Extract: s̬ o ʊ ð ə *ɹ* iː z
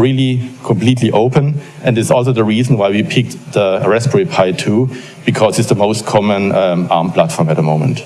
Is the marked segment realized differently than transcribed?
no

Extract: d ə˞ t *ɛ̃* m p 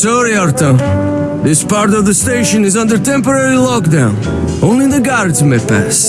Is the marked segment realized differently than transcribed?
no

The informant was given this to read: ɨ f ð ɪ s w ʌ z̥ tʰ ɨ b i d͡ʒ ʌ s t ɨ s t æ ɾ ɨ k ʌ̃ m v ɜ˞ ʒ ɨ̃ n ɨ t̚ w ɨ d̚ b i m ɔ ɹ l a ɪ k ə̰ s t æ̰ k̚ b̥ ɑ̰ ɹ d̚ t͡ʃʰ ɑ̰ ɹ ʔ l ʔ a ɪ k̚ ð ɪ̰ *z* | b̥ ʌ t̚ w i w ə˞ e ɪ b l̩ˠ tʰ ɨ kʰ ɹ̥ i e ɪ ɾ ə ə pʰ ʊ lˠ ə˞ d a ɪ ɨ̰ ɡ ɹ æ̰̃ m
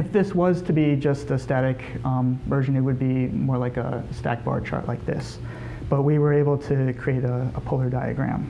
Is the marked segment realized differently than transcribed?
yes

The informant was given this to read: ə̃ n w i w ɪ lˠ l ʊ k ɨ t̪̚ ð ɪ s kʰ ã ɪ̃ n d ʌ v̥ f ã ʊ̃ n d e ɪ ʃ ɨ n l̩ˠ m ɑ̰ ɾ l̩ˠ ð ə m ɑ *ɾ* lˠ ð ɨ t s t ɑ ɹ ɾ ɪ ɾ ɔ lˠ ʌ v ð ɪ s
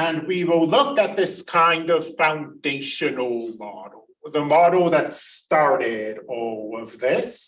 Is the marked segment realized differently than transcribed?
no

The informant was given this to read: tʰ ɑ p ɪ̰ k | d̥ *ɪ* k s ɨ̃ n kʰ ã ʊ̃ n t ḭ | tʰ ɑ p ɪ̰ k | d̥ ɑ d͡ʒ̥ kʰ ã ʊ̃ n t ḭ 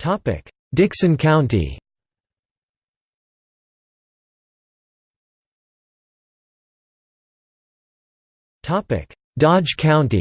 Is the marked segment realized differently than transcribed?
no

